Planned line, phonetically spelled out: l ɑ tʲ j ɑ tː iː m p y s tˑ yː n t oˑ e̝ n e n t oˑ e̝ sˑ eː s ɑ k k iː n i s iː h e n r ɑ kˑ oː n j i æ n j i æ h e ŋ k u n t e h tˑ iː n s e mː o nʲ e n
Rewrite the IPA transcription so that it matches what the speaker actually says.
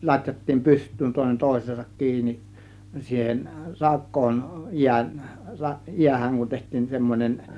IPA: l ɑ tʲ j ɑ tː iː m p y s tˑ yː n t oˑ e̝ n e n t oˑ e̝ sˑ eː s ɑ k k iː n i s iː h e n r ɑ kˑ oː n j i æ n j i æ h æ ŋ k u n t e h tˑ iː n s e mː o nʲ e n